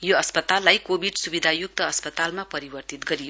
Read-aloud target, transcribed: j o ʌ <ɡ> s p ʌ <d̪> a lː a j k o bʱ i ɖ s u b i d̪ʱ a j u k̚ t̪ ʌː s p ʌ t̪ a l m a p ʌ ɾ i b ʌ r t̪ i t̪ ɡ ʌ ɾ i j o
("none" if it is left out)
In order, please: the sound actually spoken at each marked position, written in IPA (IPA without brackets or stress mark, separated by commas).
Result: none, t̪